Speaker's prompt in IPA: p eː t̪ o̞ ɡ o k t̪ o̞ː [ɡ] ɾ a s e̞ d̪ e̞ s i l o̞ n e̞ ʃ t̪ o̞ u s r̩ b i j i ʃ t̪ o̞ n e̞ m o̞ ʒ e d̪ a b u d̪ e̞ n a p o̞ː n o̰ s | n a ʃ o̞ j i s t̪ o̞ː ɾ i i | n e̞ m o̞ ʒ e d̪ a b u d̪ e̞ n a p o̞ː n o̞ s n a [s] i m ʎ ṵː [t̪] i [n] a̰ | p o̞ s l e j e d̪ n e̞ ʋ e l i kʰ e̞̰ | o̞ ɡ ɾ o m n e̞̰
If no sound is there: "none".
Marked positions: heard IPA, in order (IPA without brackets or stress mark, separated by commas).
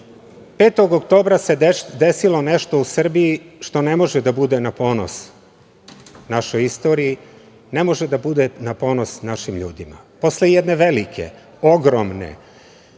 b, ʃ, d̪, m